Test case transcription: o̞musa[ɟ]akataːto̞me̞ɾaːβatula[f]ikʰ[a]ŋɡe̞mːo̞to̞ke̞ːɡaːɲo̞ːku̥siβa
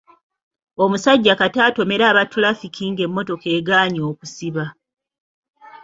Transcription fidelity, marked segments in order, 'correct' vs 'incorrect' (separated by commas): incorrect, correct, incorrect